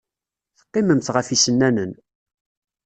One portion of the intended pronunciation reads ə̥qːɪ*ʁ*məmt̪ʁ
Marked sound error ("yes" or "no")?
yes